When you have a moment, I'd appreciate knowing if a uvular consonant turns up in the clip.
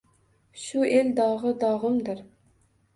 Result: yes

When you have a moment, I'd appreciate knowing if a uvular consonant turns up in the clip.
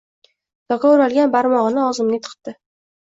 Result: yes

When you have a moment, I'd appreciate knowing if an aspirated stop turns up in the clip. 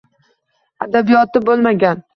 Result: no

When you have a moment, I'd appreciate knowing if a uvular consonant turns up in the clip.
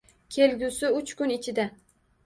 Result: no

